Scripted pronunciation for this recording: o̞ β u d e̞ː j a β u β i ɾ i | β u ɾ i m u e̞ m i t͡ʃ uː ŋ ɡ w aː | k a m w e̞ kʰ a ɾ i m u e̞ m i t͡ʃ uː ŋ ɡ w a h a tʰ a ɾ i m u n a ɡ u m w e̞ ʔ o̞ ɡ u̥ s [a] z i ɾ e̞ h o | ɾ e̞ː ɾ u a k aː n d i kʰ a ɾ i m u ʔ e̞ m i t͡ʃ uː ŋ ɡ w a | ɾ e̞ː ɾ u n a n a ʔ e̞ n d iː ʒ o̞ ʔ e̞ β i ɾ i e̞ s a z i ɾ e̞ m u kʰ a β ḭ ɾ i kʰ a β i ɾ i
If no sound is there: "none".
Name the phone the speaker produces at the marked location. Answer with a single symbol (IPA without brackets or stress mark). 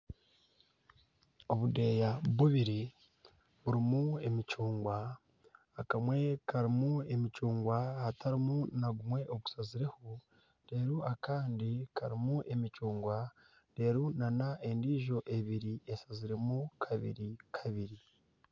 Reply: a